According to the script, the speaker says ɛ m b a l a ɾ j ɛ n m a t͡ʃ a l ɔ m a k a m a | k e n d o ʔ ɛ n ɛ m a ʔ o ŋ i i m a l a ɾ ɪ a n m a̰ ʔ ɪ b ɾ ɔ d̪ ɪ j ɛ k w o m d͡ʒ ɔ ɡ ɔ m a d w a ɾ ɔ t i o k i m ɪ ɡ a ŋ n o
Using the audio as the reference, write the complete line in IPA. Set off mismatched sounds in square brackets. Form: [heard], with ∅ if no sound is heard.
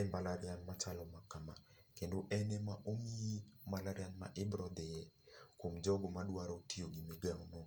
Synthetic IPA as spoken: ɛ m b a l a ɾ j [a] n m a t͡ʃ a l ɔ m a k a m a | k e n d o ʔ ɛ n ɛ m a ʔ o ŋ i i m a l a ɾ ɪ a n m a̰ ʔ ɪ b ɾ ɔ d̪ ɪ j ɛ k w o m d͡ʒ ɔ ɡ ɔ m a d w a ɾ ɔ t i o [ɡ] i m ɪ ɡ a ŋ n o